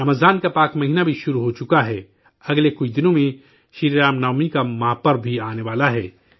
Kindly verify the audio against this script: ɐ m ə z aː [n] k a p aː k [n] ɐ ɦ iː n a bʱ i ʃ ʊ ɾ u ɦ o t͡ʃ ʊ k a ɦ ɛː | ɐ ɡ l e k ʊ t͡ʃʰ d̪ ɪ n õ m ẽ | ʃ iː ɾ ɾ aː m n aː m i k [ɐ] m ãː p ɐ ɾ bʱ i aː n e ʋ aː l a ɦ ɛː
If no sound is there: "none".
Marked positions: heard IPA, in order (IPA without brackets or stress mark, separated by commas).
n, m, a